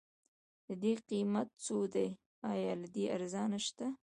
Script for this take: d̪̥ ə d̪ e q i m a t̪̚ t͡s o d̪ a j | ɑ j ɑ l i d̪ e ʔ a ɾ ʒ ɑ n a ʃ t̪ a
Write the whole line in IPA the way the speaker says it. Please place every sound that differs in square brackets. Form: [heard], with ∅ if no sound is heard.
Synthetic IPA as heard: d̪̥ ə d̪ e q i m a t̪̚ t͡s o d̪ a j | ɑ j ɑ l [a] d̪ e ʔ a ɾ [z] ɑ n a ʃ t̪ a